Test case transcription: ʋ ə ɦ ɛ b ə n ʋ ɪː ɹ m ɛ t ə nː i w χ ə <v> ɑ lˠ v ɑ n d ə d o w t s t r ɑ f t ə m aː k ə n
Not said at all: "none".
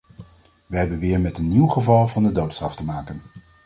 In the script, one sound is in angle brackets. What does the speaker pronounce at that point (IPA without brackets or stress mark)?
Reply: v